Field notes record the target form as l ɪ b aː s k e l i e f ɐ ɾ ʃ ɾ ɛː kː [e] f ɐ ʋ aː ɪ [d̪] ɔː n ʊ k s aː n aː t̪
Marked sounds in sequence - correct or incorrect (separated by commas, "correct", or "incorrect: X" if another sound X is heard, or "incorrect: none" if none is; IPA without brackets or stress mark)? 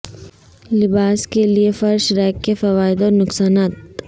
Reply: correct, correct